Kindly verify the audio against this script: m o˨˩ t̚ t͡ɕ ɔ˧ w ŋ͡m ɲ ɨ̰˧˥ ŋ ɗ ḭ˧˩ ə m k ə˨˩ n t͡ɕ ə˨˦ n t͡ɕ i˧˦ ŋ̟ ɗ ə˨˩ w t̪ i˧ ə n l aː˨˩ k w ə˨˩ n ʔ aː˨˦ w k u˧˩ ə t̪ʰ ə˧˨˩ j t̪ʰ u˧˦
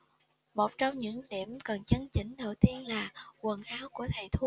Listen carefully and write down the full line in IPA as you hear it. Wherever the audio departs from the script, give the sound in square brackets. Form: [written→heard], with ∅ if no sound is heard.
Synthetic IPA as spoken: m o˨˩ t̚ t͡ɕ ɔ˧ w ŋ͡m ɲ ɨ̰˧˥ ŋ ɗ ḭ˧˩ ə m k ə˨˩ n t͡ɕ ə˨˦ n t͡ɕ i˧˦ ŋ̟ ɗ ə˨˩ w t̪ i˧ ə n l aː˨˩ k w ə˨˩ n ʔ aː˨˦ w k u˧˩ ə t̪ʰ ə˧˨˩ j t̪ʰ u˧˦